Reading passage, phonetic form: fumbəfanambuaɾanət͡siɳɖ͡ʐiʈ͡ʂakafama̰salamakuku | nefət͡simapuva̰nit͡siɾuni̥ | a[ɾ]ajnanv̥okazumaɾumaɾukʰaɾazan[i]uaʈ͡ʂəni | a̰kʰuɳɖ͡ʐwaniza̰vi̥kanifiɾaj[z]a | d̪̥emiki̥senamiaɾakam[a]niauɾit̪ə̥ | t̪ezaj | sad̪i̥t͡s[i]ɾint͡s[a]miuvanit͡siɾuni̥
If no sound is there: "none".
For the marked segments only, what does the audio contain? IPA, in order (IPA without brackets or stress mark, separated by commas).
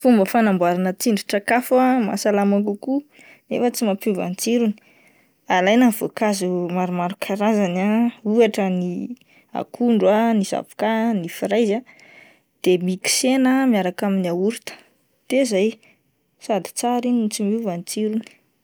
l, a, z, i, a, i